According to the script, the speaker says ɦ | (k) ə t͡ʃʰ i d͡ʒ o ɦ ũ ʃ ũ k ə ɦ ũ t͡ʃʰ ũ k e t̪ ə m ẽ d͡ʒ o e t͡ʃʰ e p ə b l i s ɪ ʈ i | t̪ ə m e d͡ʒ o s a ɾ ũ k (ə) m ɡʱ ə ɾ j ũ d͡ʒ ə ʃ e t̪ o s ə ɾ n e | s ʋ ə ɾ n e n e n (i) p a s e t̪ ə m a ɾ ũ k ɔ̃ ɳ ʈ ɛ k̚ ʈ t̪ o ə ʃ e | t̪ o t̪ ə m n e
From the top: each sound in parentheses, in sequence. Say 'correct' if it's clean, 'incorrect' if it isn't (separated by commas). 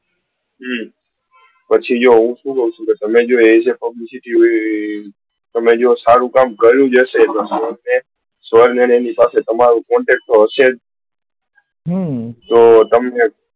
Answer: incorrect, incorrect, correct